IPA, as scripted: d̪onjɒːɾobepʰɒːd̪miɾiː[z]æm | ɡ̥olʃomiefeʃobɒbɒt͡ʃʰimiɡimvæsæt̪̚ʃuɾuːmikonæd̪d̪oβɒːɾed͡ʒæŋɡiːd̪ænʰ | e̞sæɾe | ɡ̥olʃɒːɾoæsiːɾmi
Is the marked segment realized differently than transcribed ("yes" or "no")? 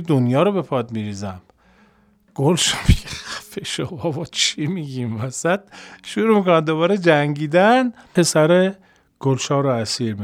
no